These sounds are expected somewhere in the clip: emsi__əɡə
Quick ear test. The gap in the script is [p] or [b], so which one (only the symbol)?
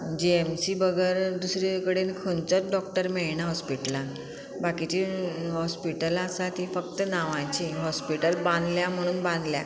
b